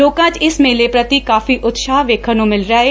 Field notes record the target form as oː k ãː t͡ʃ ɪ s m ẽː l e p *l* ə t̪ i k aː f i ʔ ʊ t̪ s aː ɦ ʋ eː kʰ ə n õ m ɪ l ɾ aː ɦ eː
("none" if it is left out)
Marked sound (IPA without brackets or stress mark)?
ɾ